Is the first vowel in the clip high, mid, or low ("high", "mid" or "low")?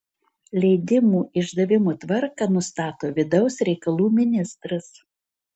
mid